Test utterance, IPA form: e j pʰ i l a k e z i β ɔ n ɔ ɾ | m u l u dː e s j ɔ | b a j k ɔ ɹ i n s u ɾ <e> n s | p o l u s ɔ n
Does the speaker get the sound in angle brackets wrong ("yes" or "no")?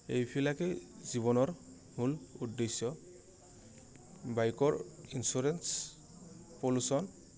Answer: no